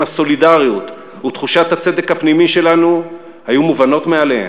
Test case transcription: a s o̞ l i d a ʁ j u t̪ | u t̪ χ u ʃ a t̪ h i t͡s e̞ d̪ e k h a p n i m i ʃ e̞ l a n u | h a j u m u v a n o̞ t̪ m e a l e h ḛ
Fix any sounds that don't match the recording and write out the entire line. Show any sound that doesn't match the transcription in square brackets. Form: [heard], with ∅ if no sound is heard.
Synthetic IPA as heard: a s o̞ l i d a ʁ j u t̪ | u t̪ χ u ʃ a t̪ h [a] t͡s e̞ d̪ e k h a p n i m i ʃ e̞ l a n u | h a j u m u v a n o̞ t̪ m e a l e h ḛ